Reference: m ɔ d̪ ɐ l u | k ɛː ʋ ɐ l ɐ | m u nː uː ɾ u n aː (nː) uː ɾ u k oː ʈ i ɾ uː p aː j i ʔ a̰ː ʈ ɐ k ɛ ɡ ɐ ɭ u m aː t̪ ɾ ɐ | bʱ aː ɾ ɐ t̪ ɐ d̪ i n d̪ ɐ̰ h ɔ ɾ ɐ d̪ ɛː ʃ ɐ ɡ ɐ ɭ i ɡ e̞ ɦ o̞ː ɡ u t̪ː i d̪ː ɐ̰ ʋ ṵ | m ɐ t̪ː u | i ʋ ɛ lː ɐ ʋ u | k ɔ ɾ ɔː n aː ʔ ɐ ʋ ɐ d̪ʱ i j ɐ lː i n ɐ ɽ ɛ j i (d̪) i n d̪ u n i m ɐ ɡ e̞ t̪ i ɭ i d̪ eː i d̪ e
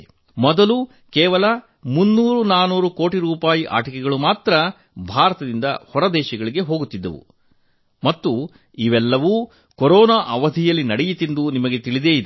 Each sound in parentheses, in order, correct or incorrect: incorrect, incorrect

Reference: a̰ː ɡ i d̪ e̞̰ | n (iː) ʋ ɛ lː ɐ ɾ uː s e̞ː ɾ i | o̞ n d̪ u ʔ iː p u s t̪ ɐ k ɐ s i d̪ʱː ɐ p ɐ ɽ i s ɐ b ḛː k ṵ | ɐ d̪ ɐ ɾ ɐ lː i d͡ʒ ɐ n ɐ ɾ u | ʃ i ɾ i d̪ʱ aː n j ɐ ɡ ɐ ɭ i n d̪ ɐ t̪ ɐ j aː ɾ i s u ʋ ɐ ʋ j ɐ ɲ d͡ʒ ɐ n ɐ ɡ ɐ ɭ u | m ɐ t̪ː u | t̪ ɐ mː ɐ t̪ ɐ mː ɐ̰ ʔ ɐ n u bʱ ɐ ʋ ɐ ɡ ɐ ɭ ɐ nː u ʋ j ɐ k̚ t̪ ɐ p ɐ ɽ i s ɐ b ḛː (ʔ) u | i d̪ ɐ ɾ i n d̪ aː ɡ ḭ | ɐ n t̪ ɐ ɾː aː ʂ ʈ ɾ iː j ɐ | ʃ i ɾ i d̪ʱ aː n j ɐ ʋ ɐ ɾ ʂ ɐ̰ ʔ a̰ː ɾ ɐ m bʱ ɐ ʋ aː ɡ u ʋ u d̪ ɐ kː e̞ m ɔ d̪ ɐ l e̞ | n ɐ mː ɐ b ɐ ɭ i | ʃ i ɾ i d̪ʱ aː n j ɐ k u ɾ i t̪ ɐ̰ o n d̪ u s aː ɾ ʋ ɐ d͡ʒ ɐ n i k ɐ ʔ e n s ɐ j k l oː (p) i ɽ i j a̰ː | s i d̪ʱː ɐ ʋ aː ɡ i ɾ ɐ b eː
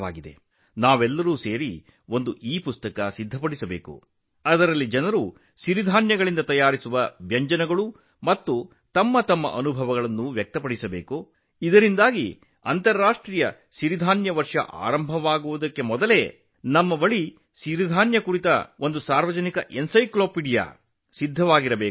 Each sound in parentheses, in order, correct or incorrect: incorrect, incorrect, correct

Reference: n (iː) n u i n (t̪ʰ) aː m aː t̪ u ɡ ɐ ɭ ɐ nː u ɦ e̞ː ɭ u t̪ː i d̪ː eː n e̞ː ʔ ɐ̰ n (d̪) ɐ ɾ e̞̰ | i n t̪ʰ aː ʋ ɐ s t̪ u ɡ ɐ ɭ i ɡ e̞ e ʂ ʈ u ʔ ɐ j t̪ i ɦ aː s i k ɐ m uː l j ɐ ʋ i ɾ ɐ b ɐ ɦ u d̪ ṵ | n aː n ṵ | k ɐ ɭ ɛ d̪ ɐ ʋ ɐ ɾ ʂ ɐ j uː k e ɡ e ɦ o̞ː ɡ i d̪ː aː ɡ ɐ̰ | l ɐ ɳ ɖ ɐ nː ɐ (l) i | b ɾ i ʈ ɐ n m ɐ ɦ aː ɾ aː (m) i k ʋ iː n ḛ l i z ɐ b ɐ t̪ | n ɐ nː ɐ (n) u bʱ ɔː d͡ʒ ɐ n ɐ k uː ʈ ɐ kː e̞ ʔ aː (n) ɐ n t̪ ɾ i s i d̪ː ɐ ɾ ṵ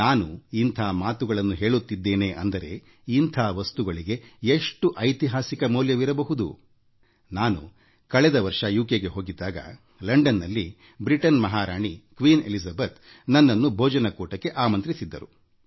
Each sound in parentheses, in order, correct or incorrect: incorrect, correct, correct, incorrect, incorrect, incorrect, incorrect

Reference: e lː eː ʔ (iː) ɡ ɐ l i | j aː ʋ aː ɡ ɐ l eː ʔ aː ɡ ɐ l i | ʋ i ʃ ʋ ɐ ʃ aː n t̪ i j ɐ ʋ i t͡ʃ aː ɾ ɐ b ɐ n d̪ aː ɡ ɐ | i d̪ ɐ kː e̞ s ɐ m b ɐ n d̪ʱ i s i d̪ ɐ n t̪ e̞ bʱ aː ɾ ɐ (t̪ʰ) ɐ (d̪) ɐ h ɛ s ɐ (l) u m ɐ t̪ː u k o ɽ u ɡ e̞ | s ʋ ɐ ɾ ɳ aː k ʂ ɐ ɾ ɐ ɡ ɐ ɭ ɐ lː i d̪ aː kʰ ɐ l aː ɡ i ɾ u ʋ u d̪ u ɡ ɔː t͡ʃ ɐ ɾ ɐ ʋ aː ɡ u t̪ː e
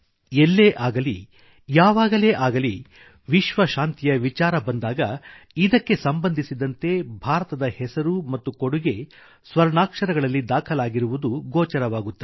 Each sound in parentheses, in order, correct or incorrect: incorrect, incorrect, correct, incorrect

